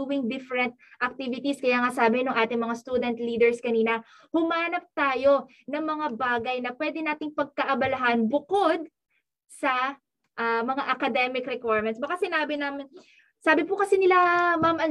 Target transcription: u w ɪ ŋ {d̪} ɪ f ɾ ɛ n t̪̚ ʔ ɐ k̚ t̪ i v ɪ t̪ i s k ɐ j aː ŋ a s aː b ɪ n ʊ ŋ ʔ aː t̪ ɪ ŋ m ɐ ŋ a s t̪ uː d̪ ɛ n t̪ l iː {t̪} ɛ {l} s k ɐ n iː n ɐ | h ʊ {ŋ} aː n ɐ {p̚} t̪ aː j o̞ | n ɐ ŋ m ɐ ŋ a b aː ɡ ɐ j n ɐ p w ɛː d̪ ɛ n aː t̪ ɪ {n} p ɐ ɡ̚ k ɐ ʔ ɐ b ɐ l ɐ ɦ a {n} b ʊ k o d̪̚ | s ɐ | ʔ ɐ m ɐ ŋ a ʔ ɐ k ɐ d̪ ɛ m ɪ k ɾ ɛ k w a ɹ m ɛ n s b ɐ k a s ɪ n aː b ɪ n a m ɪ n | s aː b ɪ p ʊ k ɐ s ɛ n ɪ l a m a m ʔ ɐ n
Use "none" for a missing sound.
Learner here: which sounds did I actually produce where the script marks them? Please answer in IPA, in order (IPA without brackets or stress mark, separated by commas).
d̪, d̪, ɹ, m, p̚, ŋ, n